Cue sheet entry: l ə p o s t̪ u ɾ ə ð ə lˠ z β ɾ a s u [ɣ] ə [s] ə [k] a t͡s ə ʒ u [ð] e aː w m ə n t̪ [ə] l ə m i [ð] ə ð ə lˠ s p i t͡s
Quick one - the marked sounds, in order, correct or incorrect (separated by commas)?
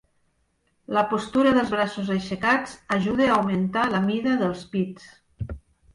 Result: incorrect, incorrect, correct, correct, incorrect, correct